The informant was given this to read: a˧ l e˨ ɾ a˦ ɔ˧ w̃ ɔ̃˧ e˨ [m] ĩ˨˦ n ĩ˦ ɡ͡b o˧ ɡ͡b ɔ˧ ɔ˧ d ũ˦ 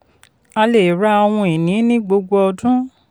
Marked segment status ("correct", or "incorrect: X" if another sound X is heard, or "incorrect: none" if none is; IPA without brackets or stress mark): incorrect: n